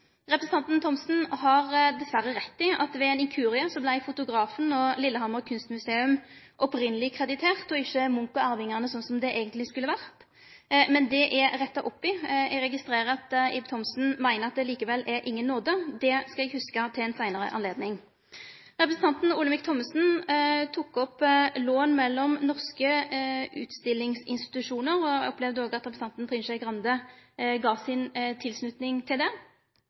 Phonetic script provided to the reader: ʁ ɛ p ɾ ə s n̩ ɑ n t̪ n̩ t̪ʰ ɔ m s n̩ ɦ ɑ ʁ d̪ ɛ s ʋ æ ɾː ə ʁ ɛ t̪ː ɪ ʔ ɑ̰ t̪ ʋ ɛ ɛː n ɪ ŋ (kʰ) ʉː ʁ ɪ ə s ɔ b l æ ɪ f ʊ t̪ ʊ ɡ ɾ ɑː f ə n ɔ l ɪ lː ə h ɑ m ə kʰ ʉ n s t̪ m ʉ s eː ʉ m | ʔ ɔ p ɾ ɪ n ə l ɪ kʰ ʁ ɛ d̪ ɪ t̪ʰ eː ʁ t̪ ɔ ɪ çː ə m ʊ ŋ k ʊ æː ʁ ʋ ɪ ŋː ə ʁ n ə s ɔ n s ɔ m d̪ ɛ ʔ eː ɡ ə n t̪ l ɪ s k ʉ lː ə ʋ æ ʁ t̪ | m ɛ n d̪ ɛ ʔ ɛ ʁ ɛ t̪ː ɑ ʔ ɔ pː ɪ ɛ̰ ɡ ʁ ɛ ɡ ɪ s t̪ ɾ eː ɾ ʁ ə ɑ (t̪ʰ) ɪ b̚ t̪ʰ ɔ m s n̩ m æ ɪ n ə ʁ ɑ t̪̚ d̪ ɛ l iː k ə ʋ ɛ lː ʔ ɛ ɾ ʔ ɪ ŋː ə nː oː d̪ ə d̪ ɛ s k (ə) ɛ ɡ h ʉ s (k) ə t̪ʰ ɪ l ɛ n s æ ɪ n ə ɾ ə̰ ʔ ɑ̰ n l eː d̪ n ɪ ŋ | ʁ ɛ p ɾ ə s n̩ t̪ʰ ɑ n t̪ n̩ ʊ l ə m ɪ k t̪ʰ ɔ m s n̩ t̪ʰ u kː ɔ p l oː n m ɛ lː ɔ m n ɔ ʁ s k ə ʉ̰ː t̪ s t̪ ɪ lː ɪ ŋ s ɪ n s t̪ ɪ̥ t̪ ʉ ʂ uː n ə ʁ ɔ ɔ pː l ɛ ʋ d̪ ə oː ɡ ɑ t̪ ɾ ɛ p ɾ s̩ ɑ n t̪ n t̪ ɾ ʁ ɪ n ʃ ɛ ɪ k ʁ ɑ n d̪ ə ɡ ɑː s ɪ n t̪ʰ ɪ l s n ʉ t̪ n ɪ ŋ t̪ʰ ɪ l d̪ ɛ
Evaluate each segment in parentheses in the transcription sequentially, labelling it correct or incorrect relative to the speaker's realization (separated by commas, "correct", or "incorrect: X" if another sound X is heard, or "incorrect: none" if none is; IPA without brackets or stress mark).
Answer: correct, incorrect: t̪, incorrect: ɑ, correct